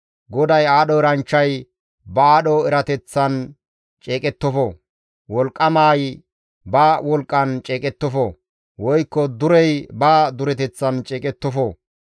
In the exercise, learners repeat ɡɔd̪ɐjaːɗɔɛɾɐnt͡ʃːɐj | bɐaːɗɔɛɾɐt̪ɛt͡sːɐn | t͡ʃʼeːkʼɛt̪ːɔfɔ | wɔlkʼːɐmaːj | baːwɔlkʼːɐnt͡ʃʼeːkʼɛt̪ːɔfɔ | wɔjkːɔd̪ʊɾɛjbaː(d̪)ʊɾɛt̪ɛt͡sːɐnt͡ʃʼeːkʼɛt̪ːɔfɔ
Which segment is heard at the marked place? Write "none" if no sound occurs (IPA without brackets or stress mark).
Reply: d̪